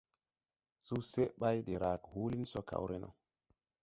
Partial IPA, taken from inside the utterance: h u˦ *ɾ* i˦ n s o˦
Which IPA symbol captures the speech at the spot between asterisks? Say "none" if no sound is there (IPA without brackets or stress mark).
l